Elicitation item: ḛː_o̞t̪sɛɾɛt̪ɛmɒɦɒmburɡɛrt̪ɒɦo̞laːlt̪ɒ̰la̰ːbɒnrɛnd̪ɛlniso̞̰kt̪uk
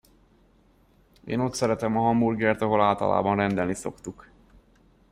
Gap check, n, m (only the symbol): n